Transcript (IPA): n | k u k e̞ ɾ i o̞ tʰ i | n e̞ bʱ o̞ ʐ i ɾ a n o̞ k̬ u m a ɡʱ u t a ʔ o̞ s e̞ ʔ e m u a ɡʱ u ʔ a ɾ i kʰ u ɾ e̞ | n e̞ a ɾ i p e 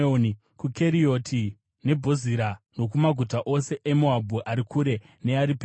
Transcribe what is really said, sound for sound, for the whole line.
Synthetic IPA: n | k u k e̞ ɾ i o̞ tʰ i | n e̞ bʱ o̞ z i ɾ a n o̞ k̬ u m a ɡʱ u t a ʔ o̞ s e̞ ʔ e m u a bʱ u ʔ a ɾ i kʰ u ɾ e̞ | n e̞ a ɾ i p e